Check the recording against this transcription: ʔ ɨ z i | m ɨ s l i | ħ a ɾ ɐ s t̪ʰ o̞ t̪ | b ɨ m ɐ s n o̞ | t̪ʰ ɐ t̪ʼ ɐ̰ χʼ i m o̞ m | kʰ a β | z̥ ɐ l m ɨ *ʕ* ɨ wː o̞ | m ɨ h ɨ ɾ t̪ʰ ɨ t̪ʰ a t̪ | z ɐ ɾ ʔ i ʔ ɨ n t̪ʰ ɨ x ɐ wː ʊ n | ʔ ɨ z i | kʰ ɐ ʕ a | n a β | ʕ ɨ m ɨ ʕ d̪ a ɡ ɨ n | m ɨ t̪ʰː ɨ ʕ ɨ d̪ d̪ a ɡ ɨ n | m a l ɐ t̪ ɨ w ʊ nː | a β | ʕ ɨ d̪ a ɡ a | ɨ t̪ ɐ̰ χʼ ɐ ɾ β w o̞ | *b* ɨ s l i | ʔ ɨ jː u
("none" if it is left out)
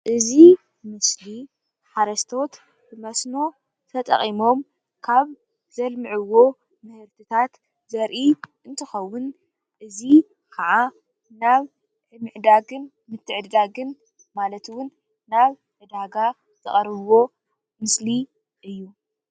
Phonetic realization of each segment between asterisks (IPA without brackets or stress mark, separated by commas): ʕ, m